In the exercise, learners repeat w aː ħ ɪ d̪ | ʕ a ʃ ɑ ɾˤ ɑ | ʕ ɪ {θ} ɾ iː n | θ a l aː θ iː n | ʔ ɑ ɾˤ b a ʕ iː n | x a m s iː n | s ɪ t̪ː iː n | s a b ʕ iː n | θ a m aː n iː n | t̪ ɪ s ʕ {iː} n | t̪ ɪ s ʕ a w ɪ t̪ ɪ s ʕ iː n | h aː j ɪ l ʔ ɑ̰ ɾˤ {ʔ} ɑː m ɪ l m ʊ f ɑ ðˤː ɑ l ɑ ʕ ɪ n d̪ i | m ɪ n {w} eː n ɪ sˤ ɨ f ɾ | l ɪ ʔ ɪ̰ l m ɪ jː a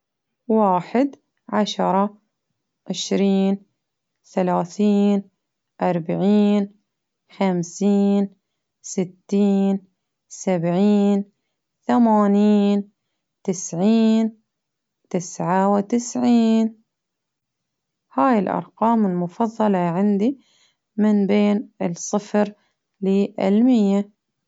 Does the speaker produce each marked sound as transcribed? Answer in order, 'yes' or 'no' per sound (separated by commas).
no, yes, no, no